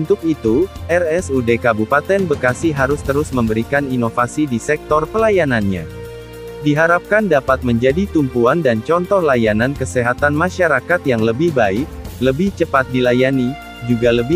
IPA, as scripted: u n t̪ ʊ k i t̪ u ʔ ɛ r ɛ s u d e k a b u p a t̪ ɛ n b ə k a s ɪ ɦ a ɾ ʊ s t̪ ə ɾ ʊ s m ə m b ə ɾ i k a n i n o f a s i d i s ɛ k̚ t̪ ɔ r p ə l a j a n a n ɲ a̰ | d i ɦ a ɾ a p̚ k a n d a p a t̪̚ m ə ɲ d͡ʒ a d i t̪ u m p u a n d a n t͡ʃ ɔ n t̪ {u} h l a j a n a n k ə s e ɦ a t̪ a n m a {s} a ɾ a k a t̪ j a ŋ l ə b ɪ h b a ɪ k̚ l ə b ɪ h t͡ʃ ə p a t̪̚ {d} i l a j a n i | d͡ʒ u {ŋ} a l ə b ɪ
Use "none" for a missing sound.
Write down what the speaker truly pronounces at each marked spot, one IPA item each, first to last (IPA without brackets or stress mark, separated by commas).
ɔ, ʃ, d, ɡ